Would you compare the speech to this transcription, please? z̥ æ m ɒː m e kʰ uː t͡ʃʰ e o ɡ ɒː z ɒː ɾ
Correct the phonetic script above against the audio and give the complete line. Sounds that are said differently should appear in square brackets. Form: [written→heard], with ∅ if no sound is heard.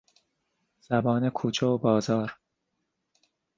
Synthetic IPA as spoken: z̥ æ [m→b] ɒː [m→n] e kʰ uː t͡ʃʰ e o [ɡ→b] ɒː z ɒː ɾ